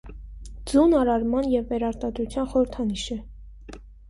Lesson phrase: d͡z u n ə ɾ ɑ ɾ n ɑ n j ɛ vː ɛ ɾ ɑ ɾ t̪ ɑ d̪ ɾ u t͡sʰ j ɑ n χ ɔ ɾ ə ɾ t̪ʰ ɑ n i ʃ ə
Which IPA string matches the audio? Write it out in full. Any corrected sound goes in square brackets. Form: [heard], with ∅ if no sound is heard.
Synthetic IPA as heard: d͡z u n [ɑ] ɾ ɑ ɾ [m] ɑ n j ɛ vː ɛ ɾ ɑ ɾ t̪ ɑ d̪ ɾ u t͡sʰ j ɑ n χ ɔ ɾ ə ɾ t̪ʰ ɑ n i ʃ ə